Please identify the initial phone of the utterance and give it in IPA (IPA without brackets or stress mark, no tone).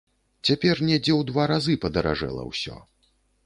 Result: t͡sʲ